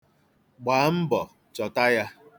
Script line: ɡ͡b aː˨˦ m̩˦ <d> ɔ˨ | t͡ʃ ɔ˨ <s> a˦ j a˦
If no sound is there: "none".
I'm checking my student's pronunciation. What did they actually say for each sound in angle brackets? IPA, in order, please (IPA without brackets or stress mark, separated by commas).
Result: b, t